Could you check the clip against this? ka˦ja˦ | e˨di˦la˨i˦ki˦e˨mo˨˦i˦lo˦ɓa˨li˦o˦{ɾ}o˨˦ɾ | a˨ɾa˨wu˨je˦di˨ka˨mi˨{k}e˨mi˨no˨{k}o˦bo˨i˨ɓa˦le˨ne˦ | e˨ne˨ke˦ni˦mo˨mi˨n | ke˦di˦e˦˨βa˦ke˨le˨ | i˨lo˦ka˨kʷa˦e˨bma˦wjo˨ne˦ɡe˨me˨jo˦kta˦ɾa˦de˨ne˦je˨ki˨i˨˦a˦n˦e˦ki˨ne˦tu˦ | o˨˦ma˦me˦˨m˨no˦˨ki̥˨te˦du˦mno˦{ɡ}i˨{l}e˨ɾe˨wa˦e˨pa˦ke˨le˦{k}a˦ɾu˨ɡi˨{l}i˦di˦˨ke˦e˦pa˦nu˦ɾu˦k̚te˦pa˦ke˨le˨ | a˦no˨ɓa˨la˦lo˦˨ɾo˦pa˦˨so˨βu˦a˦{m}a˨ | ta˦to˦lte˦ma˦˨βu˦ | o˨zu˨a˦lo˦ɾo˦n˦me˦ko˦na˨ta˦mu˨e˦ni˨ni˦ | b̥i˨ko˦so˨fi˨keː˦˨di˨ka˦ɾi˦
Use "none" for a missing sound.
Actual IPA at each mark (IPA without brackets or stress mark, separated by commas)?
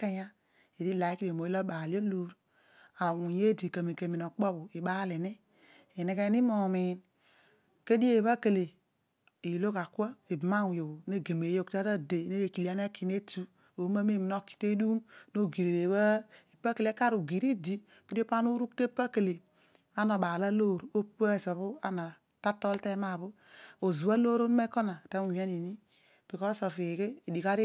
l, k, k͡p, ɡ, ɾ, k, ɾ, n